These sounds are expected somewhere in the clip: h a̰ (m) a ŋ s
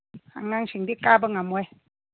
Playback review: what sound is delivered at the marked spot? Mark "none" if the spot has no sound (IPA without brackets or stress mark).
ŋ